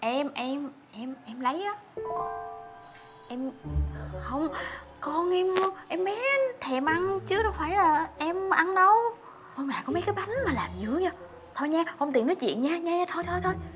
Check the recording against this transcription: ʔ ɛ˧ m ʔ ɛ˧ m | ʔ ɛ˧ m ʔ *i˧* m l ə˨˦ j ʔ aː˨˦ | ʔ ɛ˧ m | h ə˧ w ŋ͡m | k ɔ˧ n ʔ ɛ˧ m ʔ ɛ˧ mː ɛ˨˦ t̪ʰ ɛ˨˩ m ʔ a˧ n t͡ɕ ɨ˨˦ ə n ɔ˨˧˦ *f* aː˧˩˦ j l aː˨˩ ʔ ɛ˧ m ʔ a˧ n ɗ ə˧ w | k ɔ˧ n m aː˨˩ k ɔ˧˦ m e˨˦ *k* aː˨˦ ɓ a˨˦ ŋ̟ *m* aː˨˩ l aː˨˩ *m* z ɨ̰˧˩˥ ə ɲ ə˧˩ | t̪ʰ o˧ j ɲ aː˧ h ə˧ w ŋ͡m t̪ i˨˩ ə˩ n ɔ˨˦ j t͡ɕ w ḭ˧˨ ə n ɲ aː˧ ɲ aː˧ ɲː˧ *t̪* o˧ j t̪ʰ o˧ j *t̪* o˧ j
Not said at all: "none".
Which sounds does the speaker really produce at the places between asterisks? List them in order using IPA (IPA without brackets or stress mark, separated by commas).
ɛ˧, f, k, m, m, t̪ʰ, t̪ʰ